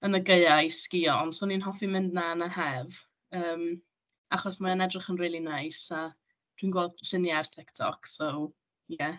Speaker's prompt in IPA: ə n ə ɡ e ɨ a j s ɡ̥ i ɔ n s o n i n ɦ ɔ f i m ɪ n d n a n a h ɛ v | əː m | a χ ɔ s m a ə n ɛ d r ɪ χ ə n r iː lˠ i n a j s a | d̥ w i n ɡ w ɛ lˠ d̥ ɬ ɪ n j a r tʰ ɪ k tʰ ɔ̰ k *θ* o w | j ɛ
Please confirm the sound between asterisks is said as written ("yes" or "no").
no